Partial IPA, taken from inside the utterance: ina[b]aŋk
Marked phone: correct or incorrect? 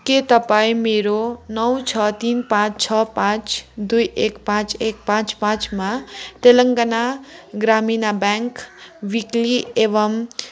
correct